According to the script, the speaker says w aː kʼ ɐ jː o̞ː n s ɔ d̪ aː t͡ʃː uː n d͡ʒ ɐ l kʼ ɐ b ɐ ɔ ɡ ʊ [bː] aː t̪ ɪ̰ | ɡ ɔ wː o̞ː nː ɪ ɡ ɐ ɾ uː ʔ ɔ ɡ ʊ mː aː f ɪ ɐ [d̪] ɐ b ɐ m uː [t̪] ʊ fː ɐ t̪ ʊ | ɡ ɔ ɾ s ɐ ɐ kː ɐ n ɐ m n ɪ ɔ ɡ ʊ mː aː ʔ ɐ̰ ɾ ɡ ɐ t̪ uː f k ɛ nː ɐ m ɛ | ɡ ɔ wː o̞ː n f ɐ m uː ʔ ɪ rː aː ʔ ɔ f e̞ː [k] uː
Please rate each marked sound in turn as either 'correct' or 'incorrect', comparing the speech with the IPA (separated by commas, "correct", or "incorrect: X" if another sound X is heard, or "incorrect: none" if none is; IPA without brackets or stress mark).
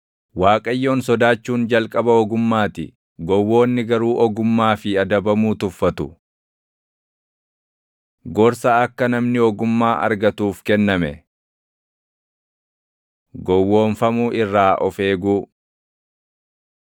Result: incorrect: mː, correct, correct, incorrect: ɡ